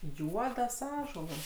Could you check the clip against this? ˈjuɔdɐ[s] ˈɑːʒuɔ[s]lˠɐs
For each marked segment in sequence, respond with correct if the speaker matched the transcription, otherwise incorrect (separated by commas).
correct, incorrect